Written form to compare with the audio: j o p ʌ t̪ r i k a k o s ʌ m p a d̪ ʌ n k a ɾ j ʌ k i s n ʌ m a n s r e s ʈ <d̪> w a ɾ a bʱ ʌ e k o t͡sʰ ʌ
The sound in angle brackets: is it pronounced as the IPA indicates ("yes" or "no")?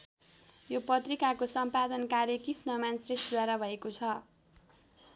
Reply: yes